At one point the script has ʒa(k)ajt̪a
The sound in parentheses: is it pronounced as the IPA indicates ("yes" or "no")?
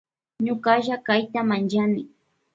yes